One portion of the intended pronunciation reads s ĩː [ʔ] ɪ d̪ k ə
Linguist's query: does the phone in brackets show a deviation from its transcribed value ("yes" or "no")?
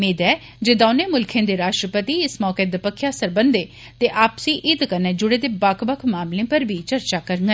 no